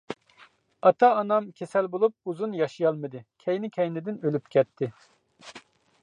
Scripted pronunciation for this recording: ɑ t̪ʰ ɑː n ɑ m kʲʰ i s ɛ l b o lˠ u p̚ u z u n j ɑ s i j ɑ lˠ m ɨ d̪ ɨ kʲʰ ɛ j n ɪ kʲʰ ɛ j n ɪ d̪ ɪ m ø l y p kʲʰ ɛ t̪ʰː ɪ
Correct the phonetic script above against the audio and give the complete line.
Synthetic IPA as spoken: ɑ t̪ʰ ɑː n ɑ m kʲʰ e s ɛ l b o lˠ u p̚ u z u n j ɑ ʃ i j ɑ lˠ m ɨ d̪ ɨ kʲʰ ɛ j n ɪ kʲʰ ɛ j n ɪ d̪ ɪ n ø l y p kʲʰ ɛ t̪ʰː ɪ